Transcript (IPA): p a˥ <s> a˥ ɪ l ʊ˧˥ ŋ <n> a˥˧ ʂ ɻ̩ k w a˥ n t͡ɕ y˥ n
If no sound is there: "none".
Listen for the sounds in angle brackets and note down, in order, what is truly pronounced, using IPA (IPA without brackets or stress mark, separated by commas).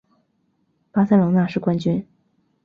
s, n